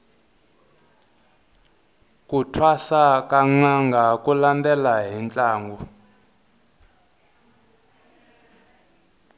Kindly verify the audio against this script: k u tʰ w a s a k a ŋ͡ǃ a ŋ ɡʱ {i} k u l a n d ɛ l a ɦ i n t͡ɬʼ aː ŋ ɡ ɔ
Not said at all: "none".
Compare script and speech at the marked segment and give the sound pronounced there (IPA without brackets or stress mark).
a